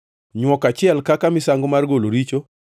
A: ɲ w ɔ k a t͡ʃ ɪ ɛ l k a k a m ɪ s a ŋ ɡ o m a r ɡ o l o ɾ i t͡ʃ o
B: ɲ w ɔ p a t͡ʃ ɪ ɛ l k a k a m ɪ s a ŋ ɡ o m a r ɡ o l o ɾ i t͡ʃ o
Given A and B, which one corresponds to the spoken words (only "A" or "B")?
A